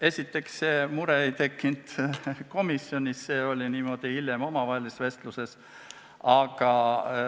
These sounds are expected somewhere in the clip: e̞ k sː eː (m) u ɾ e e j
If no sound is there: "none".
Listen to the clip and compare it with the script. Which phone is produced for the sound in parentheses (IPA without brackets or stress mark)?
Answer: m